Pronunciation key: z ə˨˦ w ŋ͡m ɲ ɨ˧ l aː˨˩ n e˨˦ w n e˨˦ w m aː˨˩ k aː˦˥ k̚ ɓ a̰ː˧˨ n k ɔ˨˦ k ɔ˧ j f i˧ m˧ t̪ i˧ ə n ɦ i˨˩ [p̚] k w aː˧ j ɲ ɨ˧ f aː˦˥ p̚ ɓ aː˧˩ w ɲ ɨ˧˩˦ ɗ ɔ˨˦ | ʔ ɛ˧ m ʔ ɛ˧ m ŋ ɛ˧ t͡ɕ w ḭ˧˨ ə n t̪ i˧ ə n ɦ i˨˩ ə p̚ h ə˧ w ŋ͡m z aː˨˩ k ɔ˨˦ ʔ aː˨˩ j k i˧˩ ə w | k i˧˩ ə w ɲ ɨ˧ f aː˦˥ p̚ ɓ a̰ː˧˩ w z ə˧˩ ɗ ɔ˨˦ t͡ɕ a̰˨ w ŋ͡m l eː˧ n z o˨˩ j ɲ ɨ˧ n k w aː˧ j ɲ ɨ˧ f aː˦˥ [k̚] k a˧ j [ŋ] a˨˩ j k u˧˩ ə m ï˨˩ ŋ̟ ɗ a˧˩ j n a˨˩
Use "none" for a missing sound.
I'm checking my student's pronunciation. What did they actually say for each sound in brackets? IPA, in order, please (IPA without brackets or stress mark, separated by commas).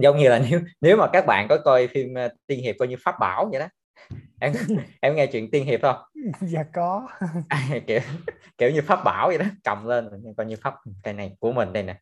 p̚, p̚, n